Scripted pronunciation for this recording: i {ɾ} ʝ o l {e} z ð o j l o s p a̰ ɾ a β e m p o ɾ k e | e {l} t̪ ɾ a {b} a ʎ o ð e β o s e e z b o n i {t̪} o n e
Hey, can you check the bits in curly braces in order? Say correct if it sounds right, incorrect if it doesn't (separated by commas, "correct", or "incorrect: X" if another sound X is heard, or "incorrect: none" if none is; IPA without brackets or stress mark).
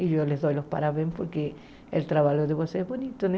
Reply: incorrect: none, correct, correct, incorrect: β, correct